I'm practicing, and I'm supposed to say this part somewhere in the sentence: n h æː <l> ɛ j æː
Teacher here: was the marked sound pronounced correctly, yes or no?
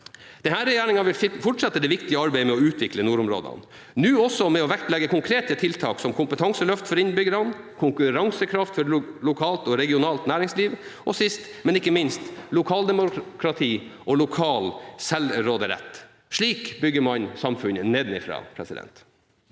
no